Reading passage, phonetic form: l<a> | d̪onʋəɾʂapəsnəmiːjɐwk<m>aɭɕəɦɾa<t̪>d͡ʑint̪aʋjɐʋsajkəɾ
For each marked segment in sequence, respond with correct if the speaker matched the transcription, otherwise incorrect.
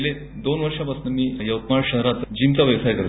incorrect: e, correct, correct

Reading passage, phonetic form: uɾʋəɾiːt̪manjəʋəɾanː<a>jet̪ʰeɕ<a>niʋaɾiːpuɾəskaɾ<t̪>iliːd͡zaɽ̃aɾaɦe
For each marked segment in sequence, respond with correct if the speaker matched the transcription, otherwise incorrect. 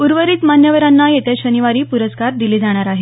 correct, incorrect: ə, incorrect: d̪

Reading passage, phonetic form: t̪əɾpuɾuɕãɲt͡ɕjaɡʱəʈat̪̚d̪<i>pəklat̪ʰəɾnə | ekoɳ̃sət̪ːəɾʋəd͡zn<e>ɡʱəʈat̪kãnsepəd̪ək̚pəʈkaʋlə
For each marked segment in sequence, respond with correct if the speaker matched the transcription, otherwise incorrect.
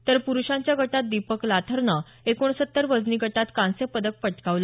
correct, incorrect: i

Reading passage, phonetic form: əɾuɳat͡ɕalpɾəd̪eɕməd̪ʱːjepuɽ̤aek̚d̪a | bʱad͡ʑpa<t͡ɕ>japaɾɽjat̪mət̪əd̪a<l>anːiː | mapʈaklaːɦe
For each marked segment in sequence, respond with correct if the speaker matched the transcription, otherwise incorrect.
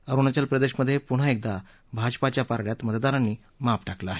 correct, incorrect: ɾ

